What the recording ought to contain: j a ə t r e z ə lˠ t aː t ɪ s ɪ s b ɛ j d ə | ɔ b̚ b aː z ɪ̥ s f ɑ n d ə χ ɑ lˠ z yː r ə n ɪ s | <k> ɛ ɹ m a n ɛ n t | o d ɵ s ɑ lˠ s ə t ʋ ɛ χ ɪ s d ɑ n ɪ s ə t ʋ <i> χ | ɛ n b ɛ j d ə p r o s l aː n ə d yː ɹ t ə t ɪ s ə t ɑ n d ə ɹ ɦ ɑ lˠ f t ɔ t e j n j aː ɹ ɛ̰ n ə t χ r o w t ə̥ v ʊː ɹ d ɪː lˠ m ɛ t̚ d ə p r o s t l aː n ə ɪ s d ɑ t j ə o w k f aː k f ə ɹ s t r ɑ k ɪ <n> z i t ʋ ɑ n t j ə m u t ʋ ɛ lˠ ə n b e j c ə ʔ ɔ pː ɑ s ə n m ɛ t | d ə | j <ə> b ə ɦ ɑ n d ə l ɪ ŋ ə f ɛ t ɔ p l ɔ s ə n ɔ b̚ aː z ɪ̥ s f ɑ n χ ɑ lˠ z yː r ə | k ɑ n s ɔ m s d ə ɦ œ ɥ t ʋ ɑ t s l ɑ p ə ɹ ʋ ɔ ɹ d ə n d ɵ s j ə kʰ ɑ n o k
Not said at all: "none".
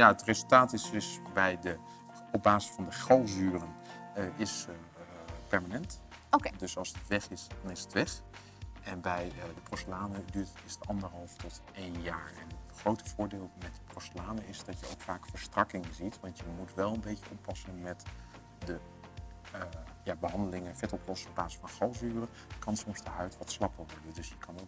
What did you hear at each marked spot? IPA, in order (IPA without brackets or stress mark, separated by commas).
p, ɛ, ŋ, a